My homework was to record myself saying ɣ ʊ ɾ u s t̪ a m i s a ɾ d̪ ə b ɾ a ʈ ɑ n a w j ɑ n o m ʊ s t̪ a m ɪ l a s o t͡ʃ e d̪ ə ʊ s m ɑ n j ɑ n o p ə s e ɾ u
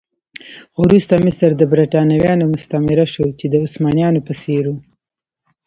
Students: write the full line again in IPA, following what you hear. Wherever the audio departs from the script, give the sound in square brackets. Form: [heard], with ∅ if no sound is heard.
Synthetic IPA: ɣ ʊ ɾ u s t̪ a m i s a ɾ d̪ ə b ɾ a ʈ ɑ n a w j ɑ n o m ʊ s t̪ a m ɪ [ɾ] a [ʃ] o t͡ʃ e d̪ ə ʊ s m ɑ n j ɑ n o p ə s e ɾ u